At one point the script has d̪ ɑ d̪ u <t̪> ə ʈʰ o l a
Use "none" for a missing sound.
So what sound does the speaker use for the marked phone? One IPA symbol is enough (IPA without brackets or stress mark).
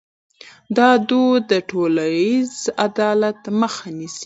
d̪